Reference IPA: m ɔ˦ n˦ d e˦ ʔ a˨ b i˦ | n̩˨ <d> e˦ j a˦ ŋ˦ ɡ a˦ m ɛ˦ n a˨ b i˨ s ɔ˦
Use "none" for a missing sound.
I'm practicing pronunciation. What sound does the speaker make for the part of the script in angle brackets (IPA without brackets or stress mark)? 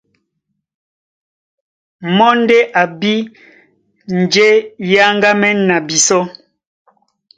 d͡ʒ